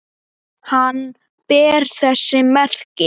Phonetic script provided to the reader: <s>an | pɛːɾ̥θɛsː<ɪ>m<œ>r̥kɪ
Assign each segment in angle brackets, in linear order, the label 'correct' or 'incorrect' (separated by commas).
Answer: incorrect, correct, incorrect